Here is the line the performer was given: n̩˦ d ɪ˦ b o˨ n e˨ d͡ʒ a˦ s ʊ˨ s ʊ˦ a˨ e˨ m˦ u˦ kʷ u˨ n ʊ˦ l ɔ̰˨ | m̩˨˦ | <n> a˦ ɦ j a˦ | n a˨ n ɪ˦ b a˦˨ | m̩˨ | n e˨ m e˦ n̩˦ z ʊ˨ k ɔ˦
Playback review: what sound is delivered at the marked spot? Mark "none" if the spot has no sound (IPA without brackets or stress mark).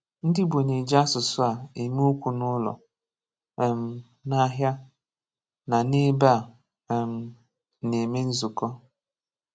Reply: n